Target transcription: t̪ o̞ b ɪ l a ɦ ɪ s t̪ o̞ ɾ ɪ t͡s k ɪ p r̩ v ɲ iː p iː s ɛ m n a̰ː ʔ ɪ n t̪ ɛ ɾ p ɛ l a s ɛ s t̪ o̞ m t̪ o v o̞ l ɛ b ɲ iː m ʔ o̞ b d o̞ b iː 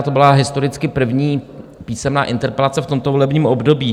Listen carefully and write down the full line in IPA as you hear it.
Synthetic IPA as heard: t̪ o̞ b ɪ l a ɦ ɪ s t̪ o̞ ɾ ɪ t͡s k ɪ p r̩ v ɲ iː p iː s ɛ m n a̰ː ʔ ɪ n t̪ ɛ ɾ p ɛ l a t͡s ɛ f t̪ o̞ m t̪ o v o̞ l ɛ b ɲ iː m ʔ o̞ b d o̞ b iː

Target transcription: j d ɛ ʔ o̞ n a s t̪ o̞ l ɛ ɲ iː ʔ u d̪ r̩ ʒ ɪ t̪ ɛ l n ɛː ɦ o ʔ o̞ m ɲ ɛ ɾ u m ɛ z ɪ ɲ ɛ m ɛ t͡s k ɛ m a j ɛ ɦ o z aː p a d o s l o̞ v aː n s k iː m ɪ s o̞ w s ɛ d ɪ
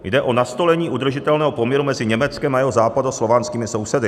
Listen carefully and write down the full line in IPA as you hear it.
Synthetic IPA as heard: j d ɛ ʔ o̞ n a s t̪ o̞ l ɛ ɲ iː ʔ u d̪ r̩ ʒ ɪ t̪ ɛ l n ɛː ɦ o p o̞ m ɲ ɛ ɾ u m ɛ z ɪ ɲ ɛ m ɛ t͡s k ɛ m a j ɛ ɦ o z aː p a d o s l o̞ v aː n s k iː m ɪ s o̞ w s ɛ d ɪ

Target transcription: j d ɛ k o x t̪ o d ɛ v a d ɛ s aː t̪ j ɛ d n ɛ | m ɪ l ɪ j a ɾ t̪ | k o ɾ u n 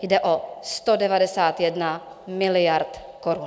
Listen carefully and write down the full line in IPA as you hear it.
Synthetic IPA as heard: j d ɛ ʔ o s t̪ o d ɛ v a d ɛ s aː t̪ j ɛ d n a | m ɪ l ɪ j a ɾ t̪ | k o ɾ u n

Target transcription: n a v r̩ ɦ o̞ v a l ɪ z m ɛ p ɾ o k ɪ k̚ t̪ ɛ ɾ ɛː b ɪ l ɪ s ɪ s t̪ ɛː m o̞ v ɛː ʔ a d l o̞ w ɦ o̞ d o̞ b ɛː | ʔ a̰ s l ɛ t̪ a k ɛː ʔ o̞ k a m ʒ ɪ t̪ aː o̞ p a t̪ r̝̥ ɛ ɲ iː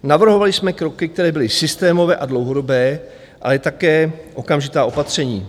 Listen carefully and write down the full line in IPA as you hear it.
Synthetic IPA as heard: n a v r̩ ɦ o̞ v a l ɪ s m ɛ k ɾ o k ɪ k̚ t̪ ɛ ɾ ɛː b ɪ l ɪ s ɪ s t̪ ɛː m o̞ v ɛː ʔ a d l o̞ w ɦ o̞ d o̞ b ɛː | ʔ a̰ l ɛ t̪ a k ɛː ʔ o̞ k a m ʒ ɪ t̪ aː o̞ p a t̪ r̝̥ ɛ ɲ iː

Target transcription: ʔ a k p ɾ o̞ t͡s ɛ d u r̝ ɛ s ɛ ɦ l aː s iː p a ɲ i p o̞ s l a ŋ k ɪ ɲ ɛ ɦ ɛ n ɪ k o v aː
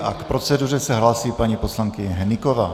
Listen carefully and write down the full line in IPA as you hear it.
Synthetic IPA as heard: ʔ a k p ɾ o̞ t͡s ɛ d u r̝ ɛ s ɛ ɦ l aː s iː p a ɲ i p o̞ s l a ŋ k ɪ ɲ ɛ ɦ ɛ n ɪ k o v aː

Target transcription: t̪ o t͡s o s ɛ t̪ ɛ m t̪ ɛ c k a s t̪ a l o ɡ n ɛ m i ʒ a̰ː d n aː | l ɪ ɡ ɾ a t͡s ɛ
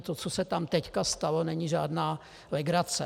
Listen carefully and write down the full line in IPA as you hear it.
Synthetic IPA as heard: t̪ o t͡s o s ɛ t̪ a m t̪ ɛ c k a s t̪ a l o n ɛ ɲ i ʒ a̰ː d n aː | l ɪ ɡ ɾ a t͡s ɛ

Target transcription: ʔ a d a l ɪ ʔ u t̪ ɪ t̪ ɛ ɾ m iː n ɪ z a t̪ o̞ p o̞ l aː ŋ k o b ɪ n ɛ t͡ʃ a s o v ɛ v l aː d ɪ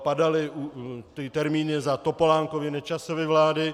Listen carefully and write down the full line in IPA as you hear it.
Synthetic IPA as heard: p a d a l ɪ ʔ u t̪ ɪ t̪ ɛ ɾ m iː n ɪ z a t̪ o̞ p o̞ l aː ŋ k o v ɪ n ɛ t͡ʃ a s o v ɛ v l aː d ɪ

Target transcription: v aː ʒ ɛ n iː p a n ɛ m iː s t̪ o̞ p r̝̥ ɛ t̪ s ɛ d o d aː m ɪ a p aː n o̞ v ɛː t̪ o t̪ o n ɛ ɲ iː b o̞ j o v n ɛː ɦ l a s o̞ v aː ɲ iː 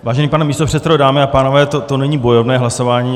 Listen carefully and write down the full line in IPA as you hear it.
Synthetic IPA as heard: v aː ʒ ɛ n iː p a n ɛ m iː s t̪ o̞ p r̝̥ ɛ t̪ s ɛ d o d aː m ɪ a p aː n o̞ v ɛː t̪ o t̪ o n ɛ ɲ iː b o̞ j o v n ɛː ɦ l a s o̞ v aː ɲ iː

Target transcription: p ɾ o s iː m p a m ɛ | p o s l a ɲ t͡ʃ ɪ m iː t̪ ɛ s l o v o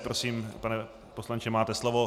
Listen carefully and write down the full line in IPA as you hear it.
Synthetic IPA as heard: p ɾ o s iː m p a n ɛ | p o s l a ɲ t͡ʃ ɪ m aː t̪ ɛ s l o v o

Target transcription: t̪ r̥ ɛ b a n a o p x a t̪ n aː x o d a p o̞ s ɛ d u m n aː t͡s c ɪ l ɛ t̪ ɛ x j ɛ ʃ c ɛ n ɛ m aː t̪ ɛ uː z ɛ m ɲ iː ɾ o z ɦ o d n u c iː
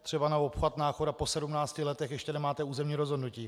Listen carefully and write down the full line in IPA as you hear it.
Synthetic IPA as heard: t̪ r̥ ɛ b a n a o p x a t̪ n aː x o d a p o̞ s ɛ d u m n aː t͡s c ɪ l ɛ t̪ ɛ x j ɛ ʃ c ɛ n ɛ m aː t̪ ɛ uː z ɛ m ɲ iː ɾ o z ɦ o d n u c iː

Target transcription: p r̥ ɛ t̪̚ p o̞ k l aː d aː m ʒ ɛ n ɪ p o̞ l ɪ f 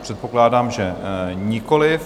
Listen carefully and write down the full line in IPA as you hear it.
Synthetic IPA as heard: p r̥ ɛ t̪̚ p o̞ k l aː d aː m ʒ ɛ ɲ ɪ k o̞ l ɪ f

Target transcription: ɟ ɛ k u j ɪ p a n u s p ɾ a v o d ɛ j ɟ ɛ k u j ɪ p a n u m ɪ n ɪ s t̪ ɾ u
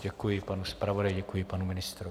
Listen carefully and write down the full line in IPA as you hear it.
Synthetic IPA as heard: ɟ ɛ k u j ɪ p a n u s p ɾ a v o d a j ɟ ɛ k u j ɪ p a n u m ɪ n ɪ s t̪ ɾ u

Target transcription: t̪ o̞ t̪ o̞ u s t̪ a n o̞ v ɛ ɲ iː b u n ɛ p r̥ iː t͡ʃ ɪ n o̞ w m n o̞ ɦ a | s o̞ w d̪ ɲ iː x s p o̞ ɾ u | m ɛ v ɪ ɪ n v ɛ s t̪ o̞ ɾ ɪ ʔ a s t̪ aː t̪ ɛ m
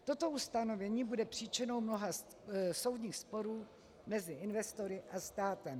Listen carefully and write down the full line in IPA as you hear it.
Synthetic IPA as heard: t̪ o̞ t̪ o̞ u s t̪ a n o̞ v ɛ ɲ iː b u d ɛ p r̥ iː t͡ʃ ɪ n o̞ w m n o̞ ɦ a | s o̞ w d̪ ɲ iː x s p o̞ ɾ uː | m ɛ z ɪ ɪ n v ɛ s t̪ o̞ ɾ ɪ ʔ a s t̪ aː t̪ ɛ m

